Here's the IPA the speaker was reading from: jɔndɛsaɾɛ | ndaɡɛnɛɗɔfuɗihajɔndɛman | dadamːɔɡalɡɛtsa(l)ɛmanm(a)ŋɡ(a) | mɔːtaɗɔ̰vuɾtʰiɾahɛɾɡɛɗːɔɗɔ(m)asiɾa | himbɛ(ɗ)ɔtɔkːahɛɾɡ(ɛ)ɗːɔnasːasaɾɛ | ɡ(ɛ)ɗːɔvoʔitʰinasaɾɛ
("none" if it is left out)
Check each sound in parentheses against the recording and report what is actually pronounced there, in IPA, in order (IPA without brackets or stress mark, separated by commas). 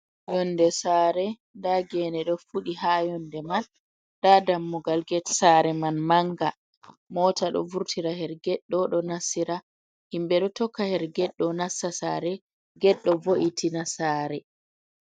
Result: ɾ, a, a, n, ɗ, ɛ, ɛ